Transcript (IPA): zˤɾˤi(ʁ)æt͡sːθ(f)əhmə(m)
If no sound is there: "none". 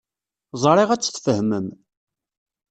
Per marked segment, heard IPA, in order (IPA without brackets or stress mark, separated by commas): ʁ, f, m